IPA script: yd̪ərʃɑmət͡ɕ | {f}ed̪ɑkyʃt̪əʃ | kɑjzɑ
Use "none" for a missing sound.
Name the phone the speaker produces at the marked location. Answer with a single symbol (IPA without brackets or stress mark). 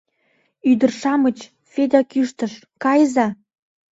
f